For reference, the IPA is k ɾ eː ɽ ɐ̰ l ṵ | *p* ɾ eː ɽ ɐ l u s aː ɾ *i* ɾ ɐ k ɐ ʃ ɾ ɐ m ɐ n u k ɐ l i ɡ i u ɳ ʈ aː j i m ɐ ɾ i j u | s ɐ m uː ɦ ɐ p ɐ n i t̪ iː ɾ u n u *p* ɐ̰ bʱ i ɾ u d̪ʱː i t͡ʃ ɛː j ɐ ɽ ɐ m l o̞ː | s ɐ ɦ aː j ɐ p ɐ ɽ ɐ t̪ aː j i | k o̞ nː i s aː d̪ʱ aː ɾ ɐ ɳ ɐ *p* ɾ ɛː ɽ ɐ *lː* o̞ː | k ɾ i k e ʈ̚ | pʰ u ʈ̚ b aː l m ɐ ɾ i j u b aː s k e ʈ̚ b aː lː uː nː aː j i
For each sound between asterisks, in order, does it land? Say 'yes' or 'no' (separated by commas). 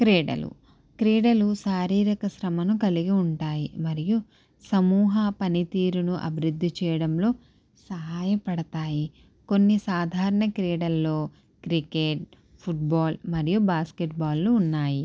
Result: no, no, no, no, yes